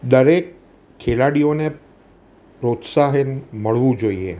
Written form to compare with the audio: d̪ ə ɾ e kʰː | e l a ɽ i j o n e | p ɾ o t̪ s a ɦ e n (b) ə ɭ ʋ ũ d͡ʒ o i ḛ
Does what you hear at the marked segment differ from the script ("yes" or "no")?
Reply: yes